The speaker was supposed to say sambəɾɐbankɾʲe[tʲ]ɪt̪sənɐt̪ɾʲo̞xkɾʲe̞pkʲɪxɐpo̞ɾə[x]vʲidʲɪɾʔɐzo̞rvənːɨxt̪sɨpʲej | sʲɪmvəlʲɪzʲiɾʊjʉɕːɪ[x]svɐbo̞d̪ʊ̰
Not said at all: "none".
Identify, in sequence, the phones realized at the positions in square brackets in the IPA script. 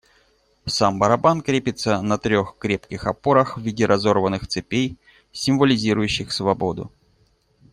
pʲ, x, x

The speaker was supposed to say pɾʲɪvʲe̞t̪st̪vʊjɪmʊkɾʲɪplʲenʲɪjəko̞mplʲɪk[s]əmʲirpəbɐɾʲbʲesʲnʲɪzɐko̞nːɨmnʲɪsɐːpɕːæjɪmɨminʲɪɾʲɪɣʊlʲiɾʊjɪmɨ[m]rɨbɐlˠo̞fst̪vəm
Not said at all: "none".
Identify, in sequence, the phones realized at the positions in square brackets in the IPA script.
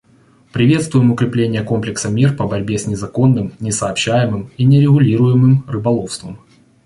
s, m

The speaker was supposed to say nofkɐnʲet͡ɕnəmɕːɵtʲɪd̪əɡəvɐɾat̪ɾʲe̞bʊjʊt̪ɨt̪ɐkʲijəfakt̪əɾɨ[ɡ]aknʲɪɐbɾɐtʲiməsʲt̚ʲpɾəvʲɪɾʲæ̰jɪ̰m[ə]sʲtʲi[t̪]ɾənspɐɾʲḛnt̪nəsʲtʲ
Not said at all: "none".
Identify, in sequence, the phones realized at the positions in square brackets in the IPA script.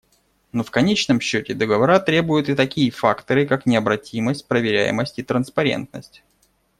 k, ə, t̪

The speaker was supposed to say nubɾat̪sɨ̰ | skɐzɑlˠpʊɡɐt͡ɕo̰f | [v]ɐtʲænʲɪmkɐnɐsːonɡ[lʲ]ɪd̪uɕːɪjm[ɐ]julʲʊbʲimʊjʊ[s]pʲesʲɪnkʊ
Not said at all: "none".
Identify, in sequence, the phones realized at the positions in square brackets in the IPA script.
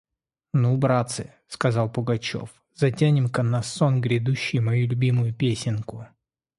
z, ɾʲ, ɐ, none

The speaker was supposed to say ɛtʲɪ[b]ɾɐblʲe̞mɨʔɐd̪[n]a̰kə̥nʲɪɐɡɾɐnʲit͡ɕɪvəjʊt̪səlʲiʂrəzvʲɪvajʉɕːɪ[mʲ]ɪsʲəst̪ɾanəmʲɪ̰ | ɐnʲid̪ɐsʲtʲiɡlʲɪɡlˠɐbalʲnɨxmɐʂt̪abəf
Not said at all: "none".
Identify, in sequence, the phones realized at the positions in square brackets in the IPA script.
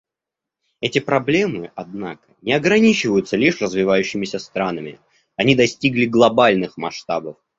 p, n, mʲ

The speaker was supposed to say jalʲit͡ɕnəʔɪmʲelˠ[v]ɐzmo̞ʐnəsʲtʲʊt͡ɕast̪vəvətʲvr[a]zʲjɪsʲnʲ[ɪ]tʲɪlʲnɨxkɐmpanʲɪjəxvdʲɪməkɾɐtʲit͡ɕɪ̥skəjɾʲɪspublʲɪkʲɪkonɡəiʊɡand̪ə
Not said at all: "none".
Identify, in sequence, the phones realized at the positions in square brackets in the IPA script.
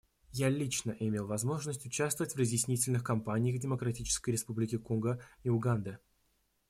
v, ə, i

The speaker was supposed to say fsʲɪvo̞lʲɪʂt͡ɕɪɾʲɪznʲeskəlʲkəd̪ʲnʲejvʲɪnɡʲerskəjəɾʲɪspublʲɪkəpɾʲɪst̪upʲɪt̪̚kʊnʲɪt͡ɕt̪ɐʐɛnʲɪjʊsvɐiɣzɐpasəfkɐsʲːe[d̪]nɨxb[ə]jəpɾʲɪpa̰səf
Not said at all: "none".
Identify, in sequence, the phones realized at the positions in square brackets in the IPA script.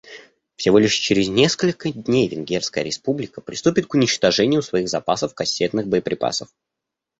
t̪, ə

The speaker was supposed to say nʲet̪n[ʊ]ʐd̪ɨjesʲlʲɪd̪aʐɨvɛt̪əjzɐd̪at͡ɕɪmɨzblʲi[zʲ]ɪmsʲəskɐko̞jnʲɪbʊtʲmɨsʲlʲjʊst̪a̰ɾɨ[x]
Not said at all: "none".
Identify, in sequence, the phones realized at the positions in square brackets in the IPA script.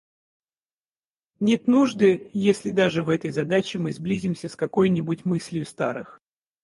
u, zʲ, x

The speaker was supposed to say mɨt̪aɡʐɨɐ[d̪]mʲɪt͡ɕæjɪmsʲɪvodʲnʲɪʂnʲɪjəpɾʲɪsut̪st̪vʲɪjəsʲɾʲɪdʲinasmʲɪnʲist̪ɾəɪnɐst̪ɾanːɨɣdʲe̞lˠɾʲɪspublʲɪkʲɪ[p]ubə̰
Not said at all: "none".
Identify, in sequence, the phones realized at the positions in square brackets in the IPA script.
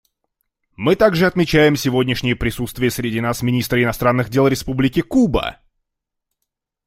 t̪, k

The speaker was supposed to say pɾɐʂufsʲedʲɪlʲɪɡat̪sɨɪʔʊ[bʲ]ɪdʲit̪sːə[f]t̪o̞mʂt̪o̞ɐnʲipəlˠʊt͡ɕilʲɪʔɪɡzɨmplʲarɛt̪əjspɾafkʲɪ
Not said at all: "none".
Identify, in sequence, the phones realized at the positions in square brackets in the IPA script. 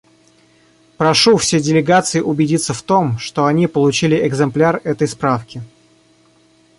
bʲ, f

